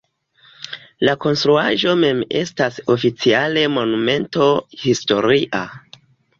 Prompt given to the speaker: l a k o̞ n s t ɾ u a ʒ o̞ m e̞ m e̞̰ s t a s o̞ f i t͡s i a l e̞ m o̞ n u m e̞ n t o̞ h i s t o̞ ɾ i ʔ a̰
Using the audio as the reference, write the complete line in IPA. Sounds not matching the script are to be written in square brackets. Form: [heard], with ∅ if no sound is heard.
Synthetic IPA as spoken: l a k o̞ n s t ɾ u a ʒ o̞ m e̞ m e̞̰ s t a s o̞ f i t͡s i a l e̞ m o̞ n u m e̞ n t o̞ h i s t o̞ ɾ i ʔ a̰